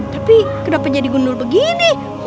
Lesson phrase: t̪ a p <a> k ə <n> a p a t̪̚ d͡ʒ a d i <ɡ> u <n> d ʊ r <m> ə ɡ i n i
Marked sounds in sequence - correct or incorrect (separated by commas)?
incorrect, incorrect, correct, correct, incorrect